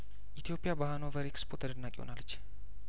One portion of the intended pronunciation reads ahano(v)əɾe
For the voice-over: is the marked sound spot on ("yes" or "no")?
yes